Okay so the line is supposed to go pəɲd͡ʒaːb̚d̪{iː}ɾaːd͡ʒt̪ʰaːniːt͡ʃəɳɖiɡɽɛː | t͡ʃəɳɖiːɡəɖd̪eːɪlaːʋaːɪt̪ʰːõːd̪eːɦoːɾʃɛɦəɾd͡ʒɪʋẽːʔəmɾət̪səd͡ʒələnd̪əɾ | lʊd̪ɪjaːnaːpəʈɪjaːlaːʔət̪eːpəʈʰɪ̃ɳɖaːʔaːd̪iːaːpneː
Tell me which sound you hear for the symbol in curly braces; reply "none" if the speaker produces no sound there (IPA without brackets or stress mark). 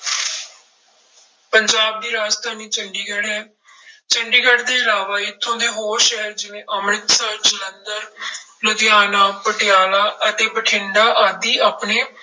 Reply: iː